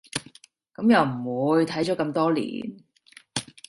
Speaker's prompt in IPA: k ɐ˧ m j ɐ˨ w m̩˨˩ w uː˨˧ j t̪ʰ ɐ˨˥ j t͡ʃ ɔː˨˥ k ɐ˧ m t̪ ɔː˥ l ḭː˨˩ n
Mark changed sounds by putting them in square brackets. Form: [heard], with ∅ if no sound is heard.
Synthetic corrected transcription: k [ɐ˨˥] m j ɐ˨ w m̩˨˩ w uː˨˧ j t̪ʰ ɐ˨˥ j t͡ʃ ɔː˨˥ k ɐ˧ m t̪ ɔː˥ l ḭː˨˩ n

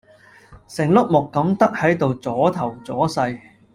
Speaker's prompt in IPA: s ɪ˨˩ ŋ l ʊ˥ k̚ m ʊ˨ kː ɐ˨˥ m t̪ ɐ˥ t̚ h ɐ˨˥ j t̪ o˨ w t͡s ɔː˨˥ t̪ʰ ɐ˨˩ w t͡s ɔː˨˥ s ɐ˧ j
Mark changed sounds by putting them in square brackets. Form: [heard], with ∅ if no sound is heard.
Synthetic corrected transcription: s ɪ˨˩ ŋ l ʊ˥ k̚ m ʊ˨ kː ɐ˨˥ m t̪ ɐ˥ [k̚] h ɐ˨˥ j t̪ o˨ w t͡s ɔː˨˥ t̪ʰ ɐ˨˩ w t͡s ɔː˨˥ s ɐ˧ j

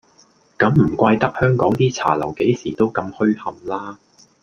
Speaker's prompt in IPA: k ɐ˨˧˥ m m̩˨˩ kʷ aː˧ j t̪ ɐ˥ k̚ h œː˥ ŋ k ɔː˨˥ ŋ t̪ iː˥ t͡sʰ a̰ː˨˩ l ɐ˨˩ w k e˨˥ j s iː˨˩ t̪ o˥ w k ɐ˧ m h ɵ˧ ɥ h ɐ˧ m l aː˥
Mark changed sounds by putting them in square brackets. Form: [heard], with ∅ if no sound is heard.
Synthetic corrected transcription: k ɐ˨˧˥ m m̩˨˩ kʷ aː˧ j t̪ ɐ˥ k̚ h œː˥ ŋ k ɔː˨˥ ŋ t̪ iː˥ t͡sʰ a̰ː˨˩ l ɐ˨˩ w k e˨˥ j s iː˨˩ t̪ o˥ w k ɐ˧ m h [ɵ˥] ɥ h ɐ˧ m l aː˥

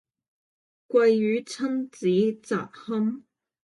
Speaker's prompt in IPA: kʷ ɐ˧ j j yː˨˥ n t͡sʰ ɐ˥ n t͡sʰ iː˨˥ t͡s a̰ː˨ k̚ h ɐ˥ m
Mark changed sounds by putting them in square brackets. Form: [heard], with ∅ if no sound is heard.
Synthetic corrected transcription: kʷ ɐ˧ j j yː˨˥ [∅] t͡sʰ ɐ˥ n [t͡s] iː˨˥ t͡s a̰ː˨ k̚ h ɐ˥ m

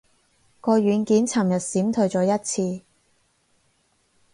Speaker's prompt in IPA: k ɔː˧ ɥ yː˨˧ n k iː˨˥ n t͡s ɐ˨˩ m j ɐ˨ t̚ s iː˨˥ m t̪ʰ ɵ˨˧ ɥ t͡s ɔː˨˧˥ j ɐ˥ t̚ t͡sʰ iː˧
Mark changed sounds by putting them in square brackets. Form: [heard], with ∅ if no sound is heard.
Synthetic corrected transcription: k ɔː˧ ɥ yː˨˧ n k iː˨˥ n [t͡sʰ] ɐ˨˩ m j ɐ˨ t̚ s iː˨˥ m t̪ʰ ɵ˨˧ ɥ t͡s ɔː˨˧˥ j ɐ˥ t̚ t͡sʰ iː˧

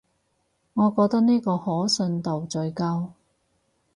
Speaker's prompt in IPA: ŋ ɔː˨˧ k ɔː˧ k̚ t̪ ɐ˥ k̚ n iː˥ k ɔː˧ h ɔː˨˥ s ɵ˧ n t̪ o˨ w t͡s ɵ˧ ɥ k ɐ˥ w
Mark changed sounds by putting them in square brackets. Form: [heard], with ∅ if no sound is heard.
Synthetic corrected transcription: ŋ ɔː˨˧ k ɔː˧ k̚ t̪ ɐ˥ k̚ n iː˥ k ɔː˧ h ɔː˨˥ s ɵ˧ n t̪ o˨ w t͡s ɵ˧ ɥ k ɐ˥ w

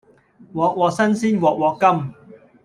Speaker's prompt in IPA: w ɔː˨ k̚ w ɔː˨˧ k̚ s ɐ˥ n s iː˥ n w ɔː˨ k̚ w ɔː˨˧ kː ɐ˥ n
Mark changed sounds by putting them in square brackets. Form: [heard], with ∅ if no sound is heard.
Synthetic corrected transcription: w ɔː˨ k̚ w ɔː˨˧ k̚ s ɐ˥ n s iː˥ n w ɔː˨ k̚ w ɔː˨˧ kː ɐ˥ [m]

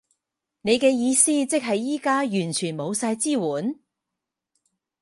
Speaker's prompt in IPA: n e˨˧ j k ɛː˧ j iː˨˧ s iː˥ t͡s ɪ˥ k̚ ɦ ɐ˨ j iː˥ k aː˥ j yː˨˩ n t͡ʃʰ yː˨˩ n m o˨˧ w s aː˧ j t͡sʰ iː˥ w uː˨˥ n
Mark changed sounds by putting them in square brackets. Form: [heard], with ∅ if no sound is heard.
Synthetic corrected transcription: n e˨˧ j k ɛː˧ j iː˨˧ s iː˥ t͡s ɪ˥ k̚ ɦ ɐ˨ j iː˥ k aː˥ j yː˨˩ n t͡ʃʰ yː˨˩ n m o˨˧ w s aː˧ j [t͡s] iː˥ w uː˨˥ n

